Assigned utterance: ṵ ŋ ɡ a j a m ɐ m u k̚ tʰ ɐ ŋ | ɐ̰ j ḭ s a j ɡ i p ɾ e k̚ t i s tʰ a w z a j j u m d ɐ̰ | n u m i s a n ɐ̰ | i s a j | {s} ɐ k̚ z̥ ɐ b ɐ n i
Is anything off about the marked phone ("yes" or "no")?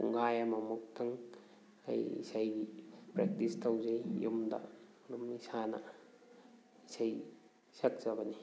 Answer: no